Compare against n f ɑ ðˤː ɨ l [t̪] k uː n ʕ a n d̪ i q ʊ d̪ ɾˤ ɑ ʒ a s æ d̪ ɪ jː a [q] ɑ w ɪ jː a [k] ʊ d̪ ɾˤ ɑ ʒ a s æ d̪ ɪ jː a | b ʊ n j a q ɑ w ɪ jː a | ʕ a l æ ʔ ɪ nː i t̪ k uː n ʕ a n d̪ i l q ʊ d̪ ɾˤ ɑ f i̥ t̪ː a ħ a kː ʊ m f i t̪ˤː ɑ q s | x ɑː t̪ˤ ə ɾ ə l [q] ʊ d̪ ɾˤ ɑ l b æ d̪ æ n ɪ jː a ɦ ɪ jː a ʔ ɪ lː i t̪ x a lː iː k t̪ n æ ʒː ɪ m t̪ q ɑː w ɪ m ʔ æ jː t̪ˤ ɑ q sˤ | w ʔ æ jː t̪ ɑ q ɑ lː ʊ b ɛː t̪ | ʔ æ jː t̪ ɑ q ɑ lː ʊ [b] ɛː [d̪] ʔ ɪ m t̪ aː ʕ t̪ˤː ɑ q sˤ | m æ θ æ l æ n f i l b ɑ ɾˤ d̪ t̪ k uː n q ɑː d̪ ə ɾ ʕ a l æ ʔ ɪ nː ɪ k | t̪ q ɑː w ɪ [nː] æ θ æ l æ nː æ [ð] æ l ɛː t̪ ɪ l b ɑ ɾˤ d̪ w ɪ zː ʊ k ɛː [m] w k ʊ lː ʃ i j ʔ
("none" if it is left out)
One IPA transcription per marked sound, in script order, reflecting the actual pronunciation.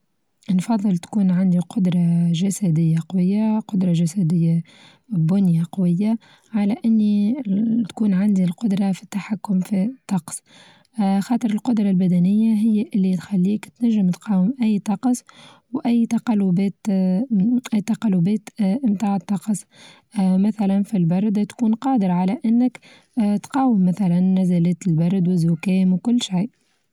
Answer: t̪, q, q, q, b, t̪, mː, z, m

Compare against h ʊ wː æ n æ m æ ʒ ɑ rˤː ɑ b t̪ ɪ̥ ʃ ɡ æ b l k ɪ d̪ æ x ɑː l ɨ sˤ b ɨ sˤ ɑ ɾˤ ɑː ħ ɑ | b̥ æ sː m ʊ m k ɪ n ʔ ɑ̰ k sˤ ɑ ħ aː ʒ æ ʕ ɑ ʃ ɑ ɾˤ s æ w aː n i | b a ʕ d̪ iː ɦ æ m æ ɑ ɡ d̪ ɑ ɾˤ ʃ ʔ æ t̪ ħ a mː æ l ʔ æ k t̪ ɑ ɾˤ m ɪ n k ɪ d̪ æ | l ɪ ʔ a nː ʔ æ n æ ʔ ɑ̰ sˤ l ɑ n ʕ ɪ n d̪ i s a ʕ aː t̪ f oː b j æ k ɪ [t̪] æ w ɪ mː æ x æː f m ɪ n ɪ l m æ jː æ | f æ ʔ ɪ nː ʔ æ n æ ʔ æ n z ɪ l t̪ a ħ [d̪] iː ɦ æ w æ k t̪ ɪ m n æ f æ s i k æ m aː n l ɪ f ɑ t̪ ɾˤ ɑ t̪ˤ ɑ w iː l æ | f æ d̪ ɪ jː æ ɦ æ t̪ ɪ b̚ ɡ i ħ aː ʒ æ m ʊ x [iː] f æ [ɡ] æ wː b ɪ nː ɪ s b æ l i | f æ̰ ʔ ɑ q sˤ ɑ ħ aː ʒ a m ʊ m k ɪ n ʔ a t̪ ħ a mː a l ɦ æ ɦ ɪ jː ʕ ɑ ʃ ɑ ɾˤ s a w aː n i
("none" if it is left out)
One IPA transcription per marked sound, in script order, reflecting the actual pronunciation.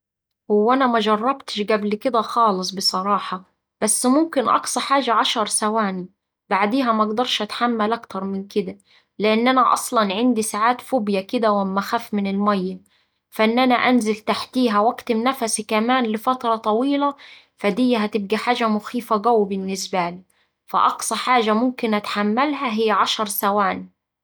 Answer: d̪, t̪, iː, ɡ

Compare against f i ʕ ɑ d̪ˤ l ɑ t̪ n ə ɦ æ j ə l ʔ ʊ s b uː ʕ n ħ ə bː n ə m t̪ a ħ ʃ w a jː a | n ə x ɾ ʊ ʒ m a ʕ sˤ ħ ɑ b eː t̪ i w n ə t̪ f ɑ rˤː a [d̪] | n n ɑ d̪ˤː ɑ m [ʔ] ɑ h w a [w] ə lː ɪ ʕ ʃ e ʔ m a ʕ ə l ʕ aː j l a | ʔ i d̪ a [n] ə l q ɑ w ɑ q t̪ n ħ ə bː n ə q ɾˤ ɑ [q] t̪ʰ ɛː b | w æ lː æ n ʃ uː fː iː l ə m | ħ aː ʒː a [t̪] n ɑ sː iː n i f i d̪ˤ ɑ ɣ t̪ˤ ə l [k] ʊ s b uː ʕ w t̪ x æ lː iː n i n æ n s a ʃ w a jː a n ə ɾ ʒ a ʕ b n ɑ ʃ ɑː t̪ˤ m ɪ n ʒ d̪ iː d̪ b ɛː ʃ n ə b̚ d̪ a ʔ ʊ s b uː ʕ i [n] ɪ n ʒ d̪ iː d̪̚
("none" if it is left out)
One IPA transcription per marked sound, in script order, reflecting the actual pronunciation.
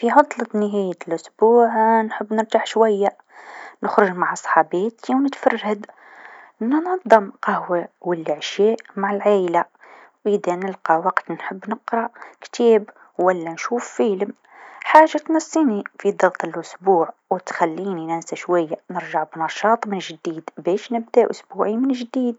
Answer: d̪, q, w, n, k, t̪, ʔ, m

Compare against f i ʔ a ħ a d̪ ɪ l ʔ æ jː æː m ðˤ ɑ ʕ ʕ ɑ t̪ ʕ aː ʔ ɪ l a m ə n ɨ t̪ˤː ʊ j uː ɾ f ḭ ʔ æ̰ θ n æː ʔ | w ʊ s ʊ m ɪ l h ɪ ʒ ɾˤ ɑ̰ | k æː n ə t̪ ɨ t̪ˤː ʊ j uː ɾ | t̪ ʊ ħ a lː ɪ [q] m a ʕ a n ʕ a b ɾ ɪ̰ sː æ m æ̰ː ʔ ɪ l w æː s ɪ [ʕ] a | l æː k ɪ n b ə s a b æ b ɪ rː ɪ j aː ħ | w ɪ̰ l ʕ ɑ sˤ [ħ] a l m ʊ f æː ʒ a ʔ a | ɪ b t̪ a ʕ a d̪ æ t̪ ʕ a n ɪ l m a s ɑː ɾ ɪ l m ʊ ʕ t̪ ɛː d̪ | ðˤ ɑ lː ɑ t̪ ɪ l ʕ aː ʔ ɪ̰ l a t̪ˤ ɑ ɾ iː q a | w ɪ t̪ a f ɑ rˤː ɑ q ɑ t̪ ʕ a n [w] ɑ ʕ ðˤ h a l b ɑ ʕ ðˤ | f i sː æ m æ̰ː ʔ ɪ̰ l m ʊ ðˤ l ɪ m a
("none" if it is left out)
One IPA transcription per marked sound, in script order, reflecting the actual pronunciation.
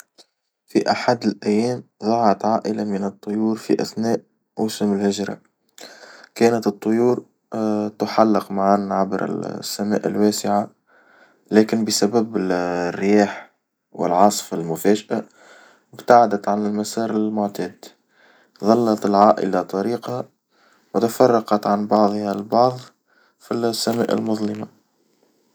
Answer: q, ʕ, f, b

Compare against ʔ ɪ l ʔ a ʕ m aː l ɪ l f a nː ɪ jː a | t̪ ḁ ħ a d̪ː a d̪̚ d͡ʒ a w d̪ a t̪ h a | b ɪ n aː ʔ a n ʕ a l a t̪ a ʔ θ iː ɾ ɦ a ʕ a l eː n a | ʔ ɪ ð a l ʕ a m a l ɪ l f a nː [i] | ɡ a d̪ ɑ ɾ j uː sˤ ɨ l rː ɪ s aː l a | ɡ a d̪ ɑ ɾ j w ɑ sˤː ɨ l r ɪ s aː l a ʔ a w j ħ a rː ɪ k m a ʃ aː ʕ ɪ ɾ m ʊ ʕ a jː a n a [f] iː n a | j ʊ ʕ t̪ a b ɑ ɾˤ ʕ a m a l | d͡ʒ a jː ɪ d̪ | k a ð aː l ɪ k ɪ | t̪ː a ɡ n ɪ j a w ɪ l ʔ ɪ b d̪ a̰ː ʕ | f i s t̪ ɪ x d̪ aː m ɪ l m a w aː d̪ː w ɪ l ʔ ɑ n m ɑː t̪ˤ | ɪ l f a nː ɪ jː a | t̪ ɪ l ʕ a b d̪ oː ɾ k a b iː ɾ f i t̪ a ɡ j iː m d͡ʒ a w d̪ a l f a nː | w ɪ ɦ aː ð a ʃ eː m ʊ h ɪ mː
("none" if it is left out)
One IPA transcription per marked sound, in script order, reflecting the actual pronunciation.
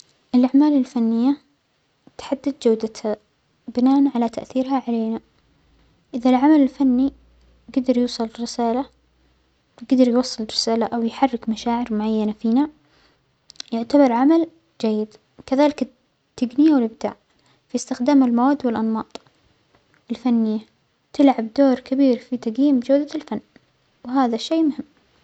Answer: i, f

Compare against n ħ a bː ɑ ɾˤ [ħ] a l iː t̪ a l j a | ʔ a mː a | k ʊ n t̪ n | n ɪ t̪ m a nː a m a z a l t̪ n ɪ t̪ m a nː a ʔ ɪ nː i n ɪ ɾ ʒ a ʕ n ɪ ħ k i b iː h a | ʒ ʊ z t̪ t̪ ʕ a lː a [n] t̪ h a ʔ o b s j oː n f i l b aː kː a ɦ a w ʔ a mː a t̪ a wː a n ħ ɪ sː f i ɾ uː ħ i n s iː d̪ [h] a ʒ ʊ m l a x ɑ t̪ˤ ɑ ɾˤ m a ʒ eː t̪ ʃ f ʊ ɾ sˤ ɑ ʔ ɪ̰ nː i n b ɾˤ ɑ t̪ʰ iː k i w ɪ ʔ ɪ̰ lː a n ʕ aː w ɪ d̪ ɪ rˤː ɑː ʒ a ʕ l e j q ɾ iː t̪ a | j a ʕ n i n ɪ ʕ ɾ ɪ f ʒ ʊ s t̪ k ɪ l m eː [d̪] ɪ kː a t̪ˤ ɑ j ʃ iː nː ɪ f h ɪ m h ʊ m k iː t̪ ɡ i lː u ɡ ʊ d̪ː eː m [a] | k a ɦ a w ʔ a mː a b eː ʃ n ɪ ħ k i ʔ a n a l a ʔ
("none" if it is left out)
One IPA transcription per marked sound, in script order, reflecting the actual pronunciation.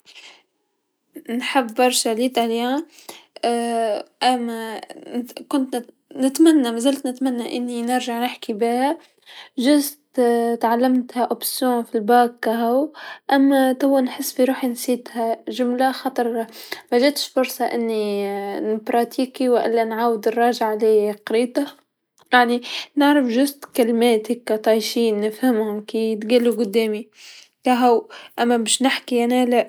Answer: ʃ, m, h, t̪, i

